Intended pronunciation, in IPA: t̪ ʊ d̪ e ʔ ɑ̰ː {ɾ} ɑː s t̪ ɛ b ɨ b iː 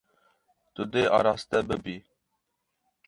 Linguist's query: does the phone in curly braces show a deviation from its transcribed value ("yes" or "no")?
no